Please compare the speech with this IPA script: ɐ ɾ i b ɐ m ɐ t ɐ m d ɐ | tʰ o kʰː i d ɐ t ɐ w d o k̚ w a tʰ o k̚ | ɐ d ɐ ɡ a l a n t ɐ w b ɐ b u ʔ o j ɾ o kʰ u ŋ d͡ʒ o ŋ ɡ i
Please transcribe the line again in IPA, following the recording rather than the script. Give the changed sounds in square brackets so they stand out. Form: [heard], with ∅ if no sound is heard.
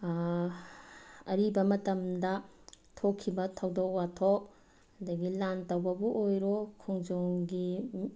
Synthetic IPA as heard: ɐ ɾ i b ɐ m ɐ t ɐ m d ɐ | tʰ o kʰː i [b] ɐ [tʰ] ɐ w d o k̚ w a tʰ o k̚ | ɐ d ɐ ɡ [i] l a n t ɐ w b ɐ b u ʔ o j ɾ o kʰ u ŋ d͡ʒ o ŋ ɡ i